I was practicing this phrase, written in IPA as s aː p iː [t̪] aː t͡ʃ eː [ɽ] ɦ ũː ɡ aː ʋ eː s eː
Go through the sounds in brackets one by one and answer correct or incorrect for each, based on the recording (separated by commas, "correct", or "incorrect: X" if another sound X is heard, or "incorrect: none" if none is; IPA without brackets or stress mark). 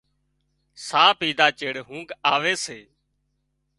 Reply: incorrect: d̪, correct